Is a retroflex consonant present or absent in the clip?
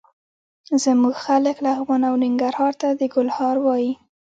absent